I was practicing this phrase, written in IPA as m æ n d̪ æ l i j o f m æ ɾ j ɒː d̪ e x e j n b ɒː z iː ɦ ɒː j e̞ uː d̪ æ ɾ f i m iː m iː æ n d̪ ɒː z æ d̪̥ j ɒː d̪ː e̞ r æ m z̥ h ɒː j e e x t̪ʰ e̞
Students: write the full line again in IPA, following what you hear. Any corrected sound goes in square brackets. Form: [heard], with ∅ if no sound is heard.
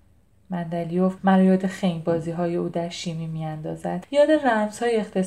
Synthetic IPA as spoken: m æ n d̪ æ l i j o f m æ ɾ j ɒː d̪ e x e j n b ɒː z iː ɦ ɒː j e̞ uː d̪ æ ɾ [ʃ] i m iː m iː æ n d̪ ɒː z æ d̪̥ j ɒː [d̪] e̞ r æ m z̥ h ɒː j e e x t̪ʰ e̞